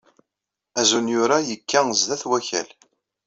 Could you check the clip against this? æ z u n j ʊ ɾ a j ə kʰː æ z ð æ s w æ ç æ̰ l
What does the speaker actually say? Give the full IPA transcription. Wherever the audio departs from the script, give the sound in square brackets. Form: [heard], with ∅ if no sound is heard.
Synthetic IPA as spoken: æ z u n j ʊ ɾ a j ə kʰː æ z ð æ [θ] w æ ç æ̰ l